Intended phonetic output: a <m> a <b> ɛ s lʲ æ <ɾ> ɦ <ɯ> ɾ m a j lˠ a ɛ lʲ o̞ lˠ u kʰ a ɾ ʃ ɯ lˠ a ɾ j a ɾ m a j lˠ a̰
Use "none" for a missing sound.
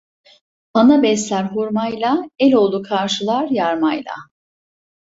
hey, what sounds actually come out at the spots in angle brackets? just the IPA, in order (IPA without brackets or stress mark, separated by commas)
n, b, ɾ, u